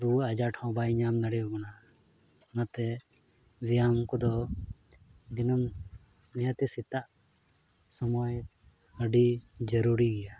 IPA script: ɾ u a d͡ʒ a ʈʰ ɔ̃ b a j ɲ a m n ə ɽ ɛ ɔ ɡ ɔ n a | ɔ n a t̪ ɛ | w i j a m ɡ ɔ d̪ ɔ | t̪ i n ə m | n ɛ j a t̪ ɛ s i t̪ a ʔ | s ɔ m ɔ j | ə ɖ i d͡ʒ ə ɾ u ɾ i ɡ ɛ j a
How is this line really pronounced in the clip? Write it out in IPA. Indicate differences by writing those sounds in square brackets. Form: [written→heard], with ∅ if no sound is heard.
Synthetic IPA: ɾ u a d͡ʒ a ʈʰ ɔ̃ b a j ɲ a m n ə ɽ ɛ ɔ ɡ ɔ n a | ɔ n a t̪ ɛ | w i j a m [ɡ→k] ɔ d̪ ɔ | [t̪→d̪] i n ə m | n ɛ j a t̪ ɛ s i t̪ a ʔ | s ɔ m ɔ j | ə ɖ i d͡ʒ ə ɾ u ɾ i ɡ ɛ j a